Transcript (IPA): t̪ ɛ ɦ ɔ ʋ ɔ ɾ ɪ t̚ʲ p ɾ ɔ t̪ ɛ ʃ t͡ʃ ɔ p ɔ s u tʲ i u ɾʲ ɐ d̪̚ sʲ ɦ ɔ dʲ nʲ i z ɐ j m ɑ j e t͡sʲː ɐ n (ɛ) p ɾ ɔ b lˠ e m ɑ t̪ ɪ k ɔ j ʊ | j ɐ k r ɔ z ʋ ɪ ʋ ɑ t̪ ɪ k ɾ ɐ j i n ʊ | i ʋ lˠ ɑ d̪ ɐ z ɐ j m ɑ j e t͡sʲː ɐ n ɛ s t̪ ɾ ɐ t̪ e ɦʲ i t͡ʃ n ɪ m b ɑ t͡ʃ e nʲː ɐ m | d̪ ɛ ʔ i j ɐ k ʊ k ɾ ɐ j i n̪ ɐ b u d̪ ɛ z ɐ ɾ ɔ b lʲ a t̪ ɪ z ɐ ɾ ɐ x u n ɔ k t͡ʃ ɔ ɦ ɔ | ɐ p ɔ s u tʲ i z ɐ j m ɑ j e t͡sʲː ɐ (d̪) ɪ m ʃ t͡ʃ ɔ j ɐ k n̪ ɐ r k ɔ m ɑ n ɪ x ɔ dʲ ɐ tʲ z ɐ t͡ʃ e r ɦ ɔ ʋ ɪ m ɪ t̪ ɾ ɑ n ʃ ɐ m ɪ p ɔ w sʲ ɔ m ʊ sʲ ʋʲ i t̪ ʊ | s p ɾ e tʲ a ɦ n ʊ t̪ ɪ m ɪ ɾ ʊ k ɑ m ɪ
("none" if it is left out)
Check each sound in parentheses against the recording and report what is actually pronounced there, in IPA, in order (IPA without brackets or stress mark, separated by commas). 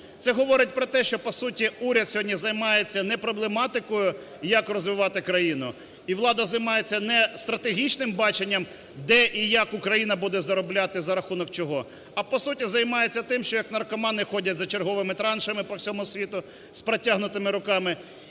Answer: ɛ, t̪